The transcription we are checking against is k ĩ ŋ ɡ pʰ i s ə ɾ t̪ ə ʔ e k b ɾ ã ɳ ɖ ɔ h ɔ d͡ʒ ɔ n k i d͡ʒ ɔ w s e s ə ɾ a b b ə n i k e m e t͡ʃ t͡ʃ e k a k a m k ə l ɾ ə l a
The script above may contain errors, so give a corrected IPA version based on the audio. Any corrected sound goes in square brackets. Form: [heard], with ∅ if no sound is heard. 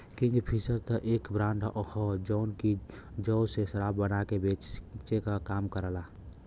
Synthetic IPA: k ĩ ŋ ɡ pʰ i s ə ɾ t̪ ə ʔ e k b ɾ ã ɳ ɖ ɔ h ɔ d͡ʒ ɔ n k i d͡ʒ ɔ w s e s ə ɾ a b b ə n [a] k e [b] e t͡ʃ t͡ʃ e k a k a m k ə [∅] ɾ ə l a

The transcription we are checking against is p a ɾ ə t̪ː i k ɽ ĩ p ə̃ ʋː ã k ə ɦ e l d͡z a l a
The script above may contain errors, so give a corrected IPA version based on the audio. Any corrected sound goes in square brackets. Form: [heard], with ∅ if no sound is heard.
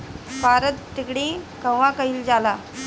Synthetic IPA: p a ɾ ə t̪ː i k ɽ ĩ [k] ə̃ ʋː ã k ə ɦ [i] l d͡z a l a

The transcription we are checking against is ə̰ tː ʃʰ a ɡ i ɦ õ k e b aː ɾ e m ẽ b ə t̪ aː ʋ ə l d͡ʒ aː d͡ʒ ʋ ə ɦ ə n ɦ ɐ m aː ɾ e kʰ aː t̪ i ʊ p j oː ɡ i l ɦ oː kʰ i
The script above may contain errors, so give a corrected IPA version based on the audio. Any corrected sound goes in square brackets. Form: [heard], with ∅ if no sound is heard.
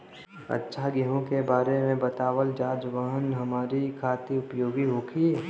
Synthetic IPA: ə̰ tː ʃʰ a ɡ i ɦ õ k e b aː ɾ e m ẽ b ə t̪ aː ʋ ə l d͡ʒ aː d͡ʒ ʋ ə ɦ ə n ɦ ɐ m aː ɾ [i] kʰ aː t̪ i ʊ p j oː ɡ i [∅] ɦ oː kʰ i

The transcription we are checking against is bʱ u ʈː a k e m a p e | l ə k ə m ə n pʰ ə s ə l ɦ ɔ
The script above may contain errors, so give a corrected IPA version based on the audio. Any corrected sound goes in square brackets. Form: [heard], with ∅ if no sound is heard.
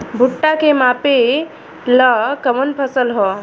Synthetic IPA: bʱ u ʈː a k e m a p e | l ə k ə m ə n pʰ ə s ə l ɦ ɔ

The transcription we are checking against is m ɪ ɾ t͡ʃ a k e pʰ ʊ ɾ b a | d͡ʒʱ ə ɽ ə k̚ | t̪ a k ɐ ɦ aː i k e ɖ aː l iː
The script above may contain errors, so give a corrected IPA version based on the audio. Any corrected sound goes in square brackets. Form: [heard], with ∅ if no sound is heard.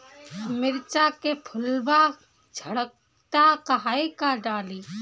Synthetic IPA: m ɪ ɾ t͡ʃ a k e pʰ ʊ [l] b a | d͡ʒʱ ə ɽ ə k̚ | t̪ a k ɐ ɦ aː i k [a] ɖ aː l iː

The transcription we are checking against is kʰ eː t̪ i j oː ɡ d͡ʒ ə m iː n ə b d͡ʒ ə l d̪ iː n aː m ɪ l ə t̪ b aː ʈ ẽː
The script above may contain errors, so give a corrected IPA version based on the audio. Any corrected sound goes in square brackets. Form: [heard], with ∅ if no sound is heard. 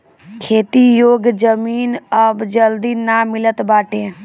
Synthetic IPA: kʰ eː t̪ i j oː ɡ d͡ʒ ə m iː n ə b d͡ʒ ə l d̪ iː n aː m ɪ l ə t̪ b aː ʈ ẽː

